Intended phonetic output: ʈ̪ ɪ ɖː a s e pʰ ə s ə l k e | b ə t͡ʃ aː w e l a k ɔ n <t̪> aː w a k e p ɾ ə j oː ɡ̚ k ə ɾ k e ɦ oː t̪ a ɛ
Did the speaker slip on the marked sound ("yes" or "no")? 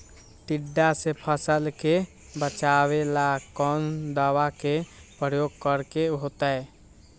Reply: yes